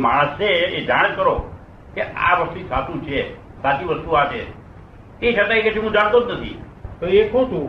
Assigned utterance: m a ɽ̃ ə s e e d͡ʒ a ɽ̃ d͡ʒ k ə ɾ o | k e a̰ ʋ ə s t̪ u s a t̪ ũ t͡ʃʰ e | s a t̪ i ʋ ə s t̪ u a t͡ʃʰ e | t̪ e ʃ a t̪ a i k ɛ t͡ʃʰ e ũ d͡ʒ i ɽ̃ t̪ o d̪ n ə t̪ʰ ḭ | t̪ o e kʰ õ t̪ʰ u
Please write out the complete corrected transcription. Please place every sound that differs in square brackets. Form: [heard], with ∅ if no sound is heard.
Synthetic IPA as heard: m a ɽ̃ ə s e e d͡ʒ a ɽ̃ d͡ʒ k ə ɾ o | k e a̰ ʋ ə s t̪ u s a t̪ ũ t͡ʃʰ e | s a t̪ i ʋ ə s t̪ u a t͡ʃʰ e | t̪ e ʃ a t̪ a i k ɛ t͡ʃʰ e ũ d͡ʒ [a] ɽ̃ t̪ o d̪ n ə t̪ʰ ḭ | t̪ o e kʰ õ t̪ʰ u